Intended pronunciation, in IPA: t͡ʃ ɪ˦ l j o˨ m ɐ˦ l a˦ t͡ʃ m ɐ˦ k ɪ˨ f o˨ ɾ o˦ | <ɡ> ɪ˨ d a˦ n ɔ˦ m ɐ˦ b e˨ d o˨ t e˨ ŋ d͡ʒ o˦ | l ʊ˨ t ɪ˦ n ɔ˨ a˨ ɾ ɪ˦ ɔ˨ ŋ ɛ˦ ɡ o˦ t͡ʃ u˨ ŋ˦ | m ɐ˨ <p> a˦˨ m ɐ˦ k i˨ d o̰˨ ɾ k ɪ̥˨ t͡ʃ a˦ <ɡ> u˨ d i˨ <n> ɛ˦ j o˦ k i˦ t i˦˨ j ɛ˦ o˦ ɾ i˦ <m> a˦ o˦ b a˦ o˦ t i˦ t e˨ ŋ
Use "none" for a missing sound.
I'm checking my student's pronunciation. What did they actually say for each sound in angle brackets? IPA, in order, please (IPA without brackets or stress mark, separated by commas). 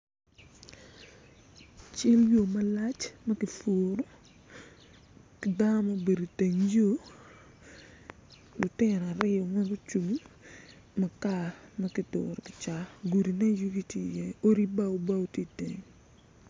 k, k, ɡ, n, b